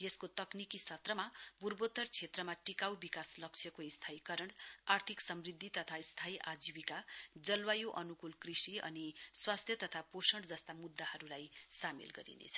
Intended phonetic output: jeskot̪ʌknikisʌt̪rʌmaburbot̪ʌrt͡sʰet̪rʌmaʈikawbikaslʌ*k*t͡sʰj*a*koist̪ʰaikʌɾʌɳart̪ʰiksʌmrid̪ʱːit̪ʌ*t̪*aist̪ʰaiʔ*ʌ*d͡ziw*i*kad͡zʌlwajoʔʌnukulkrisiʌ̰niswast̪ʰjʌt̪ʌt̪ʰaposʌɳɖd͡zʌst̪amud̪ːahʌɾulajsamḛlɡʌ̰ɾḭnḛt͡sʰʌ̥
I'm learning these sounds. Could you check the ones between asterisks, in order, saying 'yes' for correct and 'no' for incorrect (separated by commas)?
yes, no, no, no, yes